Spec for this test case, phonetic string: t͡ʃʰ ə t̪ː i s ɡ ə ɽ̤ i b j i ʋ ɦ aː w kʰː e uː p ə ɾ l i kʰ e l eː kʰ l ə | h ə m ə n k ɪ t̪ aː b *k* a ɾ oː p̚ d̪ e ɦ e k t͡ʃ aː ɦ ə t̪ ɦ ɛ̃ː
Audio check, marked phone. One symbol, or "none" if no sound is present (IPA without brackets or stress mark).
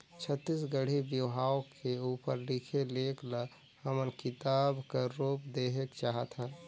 k